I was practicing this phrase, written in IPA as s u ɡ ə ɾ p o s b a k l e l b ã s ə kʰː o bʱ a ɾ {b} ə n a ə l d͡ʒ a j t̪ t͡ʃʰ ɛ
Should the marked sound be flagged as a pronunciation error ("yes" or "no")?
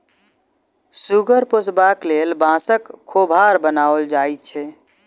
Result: no